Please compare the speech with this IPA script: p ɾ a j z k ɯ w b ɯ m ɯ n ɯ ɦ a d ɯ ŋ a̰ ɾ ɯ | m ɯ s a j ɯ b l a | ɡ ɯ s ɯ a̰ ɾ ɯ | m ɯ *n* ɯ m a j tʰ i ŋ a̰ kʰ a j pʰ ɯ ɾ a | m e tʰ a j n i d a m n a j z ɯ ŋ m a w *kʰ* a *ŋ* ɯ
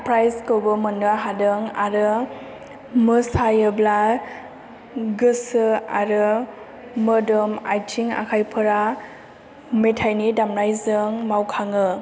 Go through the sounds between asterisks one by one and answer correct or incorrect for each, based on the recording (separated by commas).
incorrect, correct, correct